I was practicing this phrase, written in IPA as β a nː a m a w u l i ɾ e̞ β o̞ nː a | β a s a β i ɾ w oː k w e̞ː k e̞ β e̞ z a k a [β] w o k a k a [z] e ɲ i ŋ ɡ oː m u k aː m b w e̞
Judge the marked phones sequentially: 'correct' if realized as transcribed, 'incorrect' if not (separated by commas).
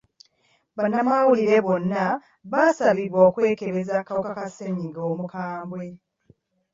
incorrect, incorrect